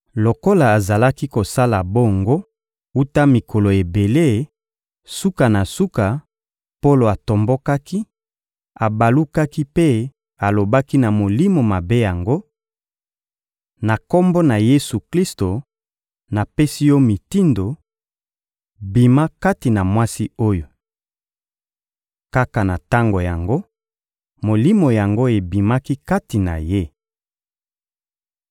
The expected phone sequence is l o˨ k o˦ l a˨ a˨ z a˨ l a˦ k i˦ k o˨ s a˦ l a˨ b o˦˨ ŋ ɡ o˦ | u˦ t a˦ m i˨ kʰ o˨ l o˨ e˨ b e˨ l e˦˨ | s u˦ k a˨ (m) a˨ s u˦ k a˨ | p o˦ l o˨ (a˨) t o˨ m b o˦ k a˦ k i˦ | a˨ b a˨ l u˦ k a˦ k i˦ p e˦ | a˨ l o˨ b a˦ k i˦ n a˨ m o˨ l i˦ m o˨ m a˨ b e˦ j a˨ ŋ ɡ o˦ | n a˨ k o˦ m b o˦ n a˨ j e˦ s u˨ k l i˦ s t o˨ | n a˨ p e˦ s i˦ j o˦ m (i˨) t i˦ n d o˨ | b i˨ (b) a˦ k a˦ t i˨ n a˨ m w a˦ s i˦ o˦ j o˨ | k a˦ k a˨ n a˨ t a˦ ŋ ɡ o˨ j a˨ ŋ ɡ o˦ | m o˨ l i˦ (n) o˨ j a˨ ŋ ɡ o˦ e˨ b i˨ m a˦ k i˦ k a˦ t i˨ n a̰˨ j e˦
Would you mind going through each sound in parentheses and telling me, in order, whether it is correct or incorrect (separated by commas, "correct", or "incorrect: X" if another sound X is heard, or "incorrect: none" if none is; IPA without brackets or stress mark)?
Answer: incorrect: n, correct, correct, incorrect: m, incorrect: m